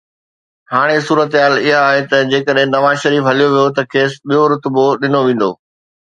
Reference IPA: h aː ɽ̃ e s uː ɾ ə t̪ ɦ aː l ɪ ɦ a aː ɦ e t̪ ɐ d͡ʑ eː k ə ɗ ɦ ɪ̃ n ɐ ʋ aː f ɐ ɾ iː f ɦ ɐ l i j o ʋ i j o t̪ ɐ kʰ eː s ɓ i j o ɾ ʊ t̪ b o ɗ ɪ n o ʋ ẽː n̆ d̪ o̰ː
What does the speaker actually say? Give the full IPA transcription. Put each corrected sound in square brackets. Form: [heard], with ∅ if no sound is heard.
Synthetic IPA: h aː ɽ̃ e s uː ɾ ə t̪ ɦ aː l ɪ ɦ a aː ɦ e t̪ ɐ d͡ʑ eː k ə ɗ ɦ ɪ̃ n ɐ ʋ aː [ʃ] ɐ ɾ iː f ɦ ɐ l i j o ʋ i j o t̪ ɐ kʰ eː s ɓ i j o ɾ ʊ t̪ b o ɗ ɪ n o ʋ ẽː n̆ d̪ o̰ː